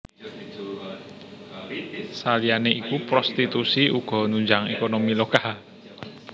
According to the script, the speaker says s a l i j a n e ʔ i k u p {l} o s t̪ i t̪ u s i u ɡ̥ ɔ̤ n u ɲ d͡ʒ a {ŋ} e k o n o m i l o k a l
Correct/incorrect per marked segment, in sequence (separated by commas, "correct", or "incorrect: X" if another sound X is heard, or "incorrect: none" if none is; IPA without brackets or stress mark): incorrect: ɾ, correct